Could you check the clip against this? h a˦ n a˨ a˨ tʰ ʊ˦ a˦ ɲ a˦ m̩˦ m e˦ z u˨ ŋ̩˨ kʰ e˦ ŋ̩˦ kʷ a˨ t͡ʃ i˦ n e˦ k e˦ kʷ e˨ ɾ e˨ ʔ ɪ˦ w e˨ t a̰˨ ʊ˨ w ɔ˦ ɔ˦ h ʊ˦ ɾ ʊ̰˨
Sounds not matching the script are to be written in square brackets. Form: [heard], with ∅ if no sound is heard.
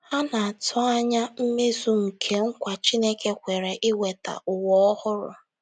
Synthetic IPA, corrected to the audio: h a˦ n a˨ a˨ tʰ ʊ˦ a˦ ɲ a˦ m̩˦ m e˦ z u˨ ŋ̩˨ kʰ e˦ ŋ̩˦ kʷ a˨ t͡ʃ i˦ n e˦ k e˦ kʷ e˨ ɾ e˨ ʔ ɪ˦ w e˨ t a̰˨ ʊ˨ w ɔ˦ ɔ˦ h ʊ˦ ɾ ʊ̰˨